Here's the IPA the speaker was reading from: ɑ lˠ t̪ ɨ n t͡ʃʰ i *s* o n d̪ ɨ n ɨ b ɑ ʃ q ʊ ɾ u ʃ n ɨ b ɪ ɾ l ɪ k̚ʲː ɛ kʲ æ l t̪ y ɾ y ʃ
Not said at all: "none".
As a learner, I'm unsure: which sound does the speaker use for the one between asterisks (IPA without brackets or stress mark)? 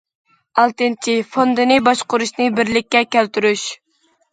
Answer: f